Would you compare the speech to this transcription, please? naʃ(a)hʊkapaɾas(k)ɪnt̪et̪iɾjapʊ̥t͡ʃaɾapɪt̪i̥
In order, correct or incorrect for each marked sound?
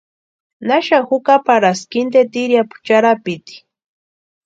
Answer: correct, correct

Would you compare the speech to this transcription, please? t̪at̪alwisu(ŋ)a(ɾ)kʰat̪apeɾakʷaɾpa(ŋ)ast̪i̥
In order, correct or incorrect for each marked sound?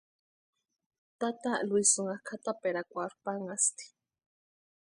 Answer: correct, incorrect, correct

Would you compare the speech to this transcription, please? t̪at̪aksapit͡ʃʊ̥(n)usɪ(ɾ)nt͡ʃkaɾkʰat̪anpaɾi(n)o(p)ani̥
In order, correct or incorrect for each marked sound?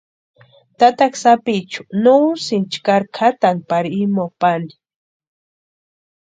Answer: correct, incorrect, incorrect, correct

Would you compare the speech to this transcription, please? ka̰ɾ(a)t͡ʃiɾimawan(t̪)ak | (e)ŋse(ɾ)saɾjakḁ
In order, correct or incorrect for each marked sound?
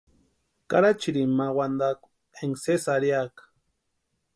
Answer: correct, incorrect, correct, incorrect

